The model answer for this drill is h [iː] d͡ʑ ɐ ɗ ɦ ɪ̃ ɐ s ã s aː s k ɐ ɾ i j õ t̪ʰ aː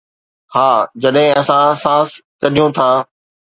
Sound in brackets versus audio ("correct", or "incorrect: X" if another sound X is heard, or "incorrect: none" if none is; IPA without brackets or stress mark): incorrect: aː